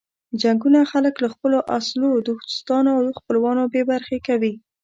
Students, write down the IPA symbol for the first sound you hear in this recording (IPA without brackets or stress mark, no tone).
d͡ʒ